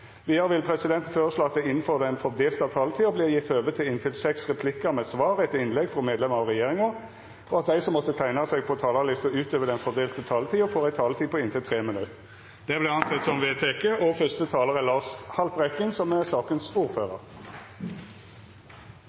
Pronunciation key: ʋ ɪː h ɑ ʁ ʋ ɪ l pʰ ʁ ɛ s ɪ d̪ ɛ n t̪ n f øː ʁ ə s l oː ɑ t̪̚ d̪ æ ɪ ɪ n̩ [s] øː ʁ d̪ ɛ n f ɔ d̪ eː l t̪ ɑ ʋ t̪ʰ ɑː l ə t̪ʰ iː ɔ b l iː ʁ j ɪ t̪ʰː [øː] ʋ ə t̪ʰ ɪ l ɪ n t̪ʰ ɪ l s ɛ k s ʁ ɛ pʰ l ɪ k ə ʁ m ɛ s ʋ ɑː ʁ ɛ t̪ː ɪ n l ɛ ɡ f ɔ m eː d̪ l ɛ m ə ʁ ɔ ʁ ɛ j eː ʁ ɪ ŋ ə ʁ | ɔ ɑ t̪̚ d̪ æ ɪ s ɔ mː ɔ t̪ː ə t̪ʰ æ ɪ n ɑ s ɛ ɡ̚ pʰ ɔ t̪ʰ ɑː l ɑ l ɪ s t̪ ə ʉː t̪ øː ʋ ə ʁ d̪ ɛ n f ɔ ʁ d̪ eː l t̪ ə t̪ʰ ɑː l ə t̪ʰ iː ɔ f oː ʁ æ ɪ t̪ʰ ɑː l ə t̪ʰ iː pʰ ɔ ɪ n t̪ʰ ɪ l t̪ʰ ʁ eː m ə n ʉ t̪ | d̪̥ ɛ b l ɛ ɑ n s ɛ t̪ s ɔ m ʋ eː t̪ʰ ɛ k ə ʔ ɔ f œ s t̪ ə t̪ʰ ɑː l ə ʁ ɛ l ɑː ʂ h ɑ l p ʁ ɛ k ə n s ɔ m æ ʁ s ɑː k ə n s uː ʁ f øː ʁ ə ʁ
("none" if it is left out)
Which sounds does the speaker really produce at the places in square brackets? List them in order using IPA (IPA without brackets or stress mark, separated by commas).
f, øː